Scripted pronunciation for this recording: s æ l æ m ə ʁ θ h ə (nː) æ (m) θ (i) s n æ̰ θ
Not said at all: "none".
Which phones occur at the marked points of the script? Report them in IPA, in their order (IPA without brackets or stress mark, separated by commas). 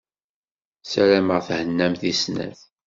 nː, m, i